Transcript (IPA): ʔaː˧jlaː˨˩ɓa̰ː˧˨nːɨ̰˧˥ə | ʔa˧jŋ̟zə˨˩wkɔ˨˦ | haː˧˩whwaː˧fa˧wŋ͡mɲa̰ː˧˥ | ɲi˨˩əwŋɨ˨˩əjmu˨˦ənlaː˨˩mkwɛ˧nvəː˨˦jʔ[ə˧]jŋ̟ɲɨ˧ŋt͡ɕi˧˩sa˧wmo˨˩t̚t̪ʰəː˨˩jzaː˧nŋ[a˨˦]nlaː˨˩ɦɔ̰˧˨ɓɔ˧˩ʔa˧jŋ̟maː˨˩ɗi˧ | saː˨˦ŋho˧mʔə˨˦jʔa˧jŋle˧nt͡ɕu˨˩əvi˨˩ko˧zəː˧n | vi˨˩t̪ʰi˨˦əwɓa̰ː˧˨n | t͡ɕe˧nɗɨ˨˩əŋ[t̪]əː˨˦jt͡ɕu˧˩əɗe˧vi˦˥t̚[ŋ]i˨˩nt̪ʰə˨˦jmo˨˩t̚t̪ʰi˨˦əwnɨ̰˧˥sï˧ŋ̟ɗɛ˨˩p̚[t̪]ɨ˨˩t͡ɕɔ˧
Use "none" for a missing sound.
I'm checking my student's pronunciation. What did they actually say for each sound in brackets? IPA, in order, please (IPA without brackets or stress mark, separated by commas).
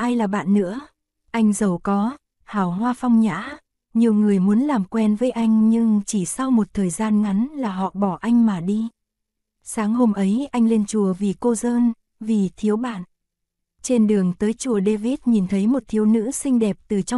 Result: a˧, a˨˦, t̪, ɲ, t̪